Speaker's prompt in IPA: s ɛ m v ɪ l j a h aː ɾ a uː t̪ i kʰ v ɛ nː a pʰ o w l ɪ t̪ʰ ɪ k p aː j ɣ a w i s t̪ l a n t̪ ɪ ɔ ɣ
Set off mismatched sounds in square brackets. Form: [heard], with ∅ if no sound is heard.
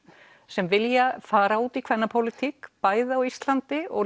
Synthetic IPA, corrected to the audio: s ɛ m v ɪ l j a [f] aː ɾ a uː t̪ i kʰ v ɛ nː a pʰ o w l ɪ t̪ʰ [i] k p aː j [ð] a w i s t̪ l a n t̪ ɪ ɔ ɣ